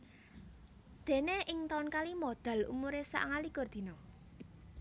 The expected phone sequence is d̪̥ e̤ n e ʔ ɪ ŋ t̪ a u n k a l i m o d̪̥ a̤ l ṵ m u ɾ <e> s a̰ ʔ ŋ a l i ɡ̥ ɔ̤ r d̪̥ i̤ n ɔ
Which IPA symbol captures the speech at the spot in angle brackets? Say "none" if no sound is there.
e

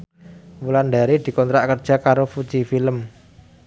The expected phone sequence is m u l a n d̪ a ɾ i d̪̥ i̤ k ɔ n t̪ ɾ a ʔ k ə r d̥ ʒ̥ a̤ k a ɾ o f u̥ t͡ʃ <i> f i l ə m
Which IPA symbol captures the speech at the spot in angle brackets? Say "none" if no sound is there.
i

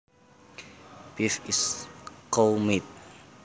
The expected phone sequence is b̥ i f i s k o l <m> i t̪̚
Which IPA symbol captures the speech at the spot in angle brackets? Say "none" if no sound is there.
m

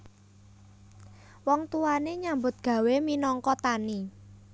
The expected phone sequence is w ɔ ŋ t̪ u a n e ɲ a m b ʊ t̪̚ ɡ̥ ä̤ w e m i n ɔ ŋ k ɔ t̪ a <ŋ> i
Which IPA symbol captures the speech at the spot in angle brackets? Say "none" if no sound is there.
n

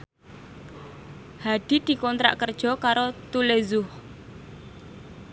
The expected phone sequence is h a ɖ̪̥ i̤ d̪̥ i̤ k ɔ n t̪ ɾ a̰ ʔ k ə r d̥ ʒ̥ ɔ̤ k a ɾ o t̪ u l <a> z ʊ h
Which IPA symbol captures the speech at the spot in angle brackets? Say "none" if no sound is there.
e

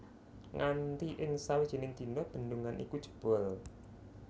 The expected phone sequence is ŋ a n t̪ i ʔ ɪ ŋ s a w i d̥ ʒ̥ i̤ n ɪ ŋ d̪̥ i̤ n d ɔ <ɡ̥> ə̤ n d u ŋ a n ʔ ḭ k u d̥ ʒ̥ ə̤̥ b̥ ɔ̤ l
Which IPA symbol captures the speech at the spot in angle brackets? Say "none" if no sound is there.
b̥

